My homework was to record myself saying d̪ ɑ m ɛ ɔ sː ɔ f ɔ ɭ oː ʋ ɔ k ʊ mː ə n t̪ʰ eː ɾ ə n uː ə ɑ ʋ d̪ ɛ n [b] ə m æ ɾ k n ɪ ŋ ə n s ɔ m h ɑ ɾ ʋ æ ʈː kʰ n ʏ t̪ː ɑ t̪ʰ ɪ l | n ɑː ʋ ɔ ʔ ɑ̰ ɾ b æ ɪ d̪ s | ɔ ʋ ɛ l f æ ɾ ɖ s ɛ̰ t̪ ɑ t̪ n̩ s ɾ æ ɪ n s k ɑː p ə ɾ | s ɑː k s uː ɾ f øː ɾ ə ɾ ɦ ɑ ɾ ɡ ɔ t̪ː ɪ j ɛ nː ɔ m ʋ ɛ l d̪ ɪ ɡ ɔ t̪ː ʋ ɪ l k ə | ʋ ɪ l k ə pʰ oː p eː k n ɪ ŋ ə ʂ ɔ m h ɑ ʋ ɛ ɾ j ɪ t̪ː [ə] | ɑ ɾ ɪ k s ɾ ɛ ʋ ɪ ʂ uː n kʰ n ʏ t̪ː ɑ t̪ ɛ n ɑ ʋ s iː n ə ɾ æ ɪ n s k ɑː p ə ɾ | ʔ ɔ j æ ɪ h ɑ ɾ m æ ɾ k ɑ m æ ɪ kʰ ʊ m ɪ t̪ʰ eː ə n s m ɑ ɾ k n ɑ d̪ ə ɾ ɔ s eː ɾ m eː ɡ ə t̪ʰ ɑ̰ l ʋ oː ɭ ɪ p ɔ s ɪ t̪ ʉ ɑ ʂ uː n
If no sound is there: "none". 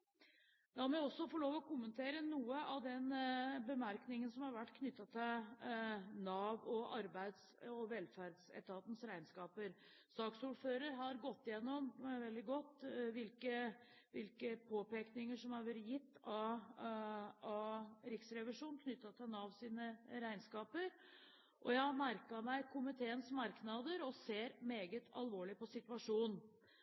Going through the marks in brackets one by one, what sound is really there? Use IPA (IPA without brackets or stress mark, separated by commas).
b, ɑ